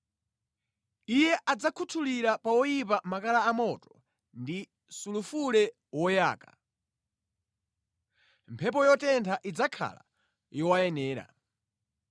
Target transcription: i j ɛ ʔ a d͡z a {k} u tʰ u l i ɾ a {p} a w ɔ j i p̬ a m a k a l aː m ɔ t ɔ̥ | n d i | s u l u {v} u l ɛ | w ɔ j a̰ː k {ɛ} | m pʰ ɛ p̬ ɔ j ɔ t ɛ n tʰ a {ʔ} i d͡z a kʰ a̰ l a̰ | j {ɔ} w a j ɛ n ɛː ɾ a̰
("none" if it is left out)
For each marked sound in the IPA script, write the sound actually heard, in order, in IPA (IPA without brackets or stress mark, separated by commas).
kʰ, p, f, a, ʔ, ɔ